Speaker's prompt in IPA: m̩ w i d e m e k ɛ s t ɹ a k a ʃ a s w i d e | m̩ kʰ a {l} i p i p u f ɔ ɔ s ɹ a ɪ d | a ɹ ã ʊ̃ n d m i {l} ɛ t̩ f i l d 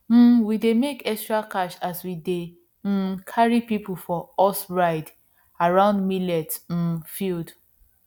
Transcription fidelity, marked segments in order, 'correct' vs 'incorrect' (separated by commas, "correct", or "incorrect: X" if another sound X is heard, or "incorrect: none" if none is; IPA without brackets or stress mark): incorrect: ɹ, correct